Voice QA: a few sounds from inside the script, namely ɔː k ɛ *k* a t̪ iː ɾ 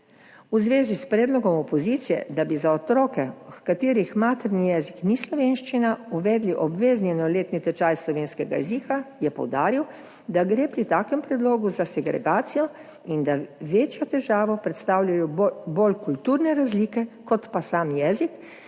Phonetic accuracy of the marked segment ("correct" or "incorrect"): correct